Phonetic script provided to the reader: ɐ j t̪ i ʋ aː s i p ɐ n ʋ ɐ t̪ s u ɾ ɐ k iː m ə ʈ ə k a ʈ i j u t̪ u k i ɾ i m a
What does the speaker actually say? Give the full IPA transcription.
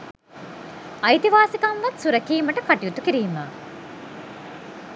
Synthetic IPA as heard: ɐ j t̪ i ʋ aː s i k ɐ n ʋ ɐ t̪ s u ɾ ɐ k iː m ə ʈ ə k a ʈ i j u t̪ u k i ɾ iː m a